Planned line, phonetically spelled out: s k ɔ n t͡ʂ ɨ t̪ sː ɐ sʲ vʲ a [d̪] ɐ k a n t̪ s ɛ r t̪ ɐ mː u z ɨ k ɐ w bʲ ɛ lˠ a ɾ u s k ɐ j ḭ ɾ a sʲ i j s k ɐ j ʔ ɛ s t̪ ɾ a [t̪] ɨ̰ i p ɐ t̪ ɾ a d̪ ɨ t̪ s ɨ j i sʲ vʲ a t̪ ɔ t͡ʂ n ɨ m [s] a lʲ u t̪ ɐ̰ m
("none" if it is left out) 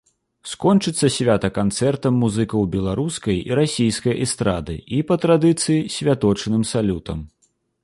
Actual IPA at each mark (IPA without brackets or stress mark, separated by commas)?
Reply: t̪, d̪, s